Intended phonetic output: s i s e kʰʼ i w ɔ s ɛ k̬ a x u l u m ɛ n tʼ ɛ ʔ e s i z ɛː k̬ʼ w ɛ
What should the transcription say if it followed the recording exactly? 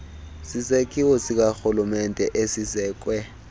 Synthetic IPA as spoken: s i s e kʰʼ i w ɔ s i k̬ a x u l u m ɛ n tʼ ɛ ʔ e s i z ɛː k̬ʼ w ɛ